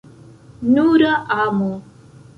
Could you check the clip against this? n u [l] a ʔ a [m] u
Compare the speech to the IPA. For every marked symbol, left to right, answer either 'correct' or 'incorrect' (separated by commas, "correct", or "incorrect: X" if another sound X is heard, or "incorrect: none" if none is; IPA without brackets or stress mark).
incorrect: ɾ, correct